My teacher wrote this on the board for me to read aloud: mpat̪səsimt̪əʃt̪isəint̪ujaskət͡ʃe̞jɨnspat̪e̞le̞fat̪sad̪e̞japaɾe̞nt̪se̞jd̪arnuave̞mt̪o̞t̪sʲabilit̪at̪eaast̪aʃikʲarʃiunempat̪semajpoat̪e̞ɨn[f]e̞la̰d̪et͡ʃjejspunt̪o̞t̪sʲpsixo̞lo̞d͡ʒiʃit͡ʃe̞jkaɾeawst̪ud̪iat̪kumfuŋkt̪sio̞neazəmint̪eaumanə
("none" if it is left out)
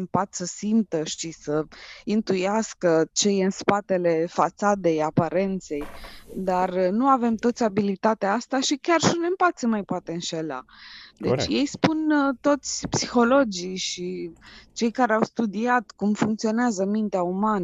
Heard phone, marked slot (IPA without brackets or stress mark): ʃ